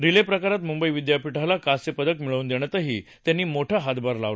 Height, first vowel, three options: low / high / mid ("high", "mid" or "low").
high